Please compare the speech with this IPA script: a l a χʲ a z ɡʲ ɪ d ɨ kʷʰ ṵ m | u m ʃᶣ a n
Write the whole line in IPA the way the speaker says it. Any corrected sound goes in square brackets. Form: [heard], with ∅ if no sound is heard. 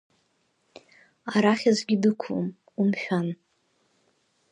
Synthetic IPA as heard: a [ɾ] a χʲ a z ɡʲ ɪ d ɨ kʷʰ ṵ m | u m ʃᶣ a n